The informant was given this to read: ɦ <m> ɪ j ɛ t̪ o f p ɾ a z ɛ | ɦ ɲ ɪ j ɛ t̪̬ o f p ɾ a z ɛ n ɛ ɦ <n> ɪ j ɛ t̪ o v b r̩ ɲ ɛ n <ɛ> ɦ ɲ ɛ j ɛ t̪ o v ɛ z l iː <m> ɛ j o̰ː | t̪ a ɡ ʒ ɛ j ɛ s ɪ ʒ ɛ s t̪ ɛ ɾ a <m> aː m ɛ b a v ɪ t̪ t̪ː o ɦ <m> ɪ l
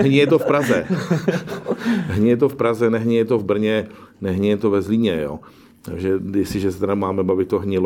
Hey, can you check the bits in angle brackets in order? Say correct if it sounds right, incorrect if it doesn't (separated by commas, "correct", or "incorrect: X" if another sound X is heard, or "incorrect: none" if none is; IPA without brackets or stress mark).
incorrect: ɲ, incorrect: ɲ, correct, incorrect: ɲ, correct, incorrect: ɲ